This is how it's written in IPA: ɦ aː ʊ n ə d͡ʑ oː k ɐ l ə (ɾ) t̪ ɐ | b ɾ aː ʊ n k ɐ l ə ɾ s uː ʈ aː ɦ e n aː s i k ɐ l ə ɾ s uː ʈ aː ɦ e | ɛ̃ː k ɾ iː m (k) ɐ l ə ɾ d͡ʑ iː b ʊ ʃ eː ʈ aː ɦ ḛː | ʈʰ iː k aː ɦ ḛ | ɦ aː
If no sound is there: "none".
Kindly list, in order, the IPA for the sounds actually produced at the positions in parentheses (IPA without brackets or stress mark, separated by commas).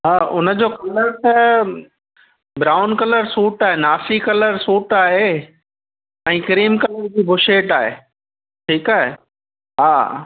ɾ, k